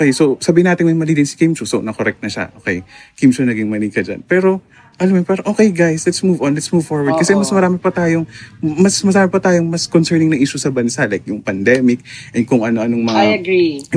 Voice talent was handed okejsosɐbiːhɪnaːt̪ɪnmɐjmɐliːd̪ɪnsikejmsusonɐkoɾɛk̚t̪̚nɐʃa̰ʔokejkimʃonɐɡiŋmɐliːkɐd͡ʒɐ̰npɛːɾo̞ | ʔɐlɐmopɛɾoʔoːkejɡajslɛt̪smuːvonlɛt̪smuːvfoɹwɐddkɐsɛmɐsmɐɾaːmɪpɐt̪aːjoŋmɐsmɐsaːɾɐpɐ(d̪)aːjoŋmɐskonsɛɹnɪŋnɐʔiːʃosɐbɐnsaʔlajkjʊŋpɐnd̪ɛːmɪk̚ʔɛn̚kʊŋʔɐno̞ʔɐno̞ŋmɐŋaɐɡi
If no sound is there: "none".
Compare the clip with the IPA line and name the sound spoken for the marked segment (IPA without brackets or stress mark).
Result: t̪